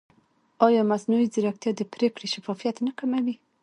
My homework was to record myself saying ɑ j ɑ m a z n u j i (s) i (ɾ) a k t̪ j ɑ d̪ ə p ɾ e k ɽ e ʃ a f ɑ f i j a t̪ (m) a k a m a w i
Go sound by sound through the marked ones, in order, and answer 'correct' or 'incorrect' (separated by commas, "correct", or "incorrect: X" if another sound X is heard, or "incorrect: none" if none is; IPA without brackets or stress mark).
incorrect: z, correct, incorrect: n